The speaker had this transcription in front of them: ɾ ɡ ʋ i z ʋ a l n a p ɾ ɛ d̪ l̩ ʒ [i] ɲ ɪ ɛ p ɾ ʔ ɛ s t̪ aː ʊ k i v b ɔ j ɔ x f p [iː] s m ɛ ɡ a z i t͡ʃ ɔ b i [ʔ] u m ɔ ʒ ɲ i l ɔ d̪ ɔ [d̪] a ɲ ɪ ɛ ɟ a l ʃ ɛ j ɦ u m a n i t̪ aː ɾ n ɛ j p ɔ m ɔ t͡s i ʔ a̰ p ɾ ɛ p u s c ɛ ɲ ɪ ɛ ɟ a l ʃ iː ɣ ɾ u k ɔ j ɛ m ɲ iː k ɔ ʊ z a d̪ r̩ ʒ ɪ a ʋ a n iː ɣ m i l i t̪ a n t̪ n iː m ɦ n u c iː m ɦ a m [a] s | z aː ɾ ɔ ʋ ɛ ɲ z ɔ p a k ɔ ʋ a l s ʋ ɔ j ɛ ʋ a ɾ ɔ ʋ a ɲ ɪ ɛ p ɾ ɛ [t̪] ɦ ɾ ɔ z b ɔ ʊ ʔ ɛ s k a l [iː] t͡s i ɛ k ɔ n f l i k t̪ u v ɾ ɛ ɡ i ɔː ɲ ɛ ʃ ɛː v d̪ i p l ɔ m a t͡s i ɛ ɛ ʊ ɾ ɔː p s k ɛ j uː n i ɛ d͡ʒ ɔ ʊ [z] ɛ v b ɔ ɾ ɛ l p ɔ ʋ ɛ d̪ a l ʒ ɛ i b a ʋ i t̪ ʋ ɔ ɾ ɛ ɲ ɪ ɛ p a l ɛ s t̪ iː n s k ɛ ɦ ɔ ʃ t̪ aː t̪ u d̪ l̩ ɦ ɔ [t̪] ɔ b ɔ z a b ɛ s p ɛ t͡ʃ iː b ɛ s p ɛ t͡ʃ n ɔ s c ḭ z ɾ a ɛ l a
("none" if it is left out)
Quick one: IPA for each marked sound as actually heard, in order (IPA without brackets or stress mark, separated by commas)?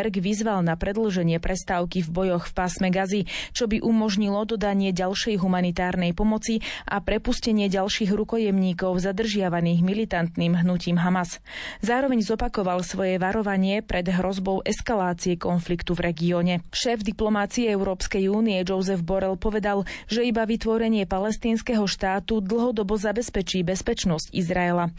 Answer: ɛ, aː, ʔ, d̪, a, d̪, aː, z, d̪